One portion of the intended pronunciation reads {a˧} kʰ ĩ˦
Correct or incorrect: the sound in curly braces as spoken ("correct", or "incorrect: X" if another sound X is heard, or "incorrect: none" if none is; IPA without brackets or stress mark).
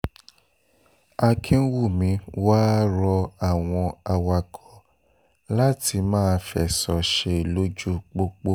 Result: correct